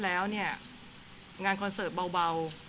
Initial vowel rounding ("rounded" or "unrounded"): unrounded